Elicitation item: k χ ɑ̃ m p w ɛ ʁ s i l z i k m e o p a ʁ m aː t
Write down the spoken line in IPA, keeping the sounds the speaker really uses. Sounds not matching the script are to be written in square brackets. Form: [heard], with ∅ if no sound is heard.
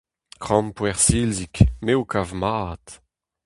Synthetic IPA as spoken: k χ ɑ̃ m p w ɛ ʁ s i l z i k m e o [k] a [v] m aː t